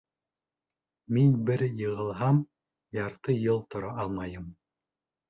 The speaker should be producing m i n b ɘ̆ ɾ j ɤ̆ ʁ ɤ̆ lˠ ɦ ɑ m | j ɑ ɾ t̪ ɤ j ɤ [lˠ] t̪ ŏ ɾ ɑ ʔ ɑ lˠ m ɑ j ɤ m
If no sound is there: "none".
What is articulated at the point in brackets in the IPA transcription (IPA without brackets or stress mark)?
lˠ